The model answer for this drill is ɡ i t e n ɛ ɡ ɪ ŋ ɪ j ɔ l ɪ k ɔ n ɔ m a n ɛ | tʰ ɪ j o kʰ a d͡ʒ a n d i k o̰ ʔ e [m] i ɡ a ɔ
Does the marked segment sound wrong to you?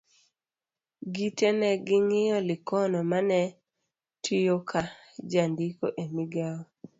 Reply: no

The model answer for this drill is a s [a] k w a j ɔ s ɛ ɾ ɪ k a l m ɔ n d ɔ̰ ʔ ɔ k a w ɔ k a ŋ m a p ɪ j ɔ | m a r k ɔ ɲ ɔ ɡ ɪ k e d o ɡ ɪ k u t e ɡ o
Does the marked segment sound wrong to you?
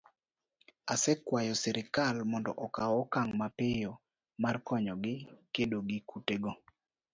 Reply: yes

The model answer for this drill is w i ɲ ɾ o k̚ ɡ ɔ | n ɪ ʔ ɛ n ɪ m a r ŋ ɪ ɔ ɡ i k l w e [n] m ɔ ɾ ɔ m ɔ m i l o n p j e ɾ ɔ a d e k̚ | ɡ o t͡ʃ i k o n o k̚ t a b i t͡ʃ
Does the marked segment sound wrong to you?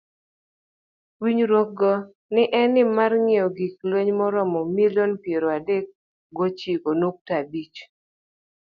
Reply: yes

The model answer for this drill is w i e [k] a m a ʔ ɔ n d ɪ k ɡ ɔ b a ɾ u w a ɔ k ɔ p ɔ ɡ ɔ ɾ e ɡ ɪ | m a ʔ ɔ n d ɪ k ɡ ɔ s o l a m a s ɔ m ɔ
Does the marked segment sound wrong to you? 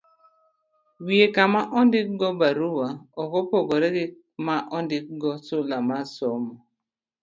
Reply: no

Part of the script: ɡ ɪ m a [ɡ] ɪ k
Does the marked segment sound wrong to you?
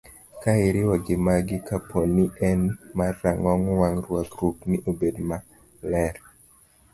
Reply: no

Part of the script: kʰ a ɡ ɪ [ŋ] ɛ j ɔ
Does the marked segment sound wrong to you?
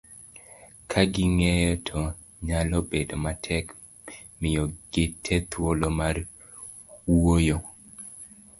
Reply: no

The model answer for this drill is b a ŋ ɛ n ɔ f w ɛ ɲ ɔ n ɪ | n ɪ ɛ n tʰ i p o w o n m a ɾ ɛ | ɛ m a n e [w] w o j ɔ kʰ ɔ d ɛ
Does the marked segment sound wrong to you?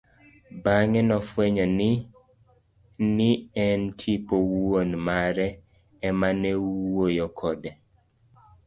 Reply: no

